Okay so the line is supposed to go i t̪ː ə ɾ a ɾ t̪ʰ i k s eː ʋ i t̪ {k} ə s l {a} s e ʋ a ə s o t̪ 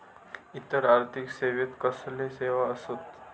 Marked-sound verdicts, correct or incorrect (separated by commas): correct, incorrect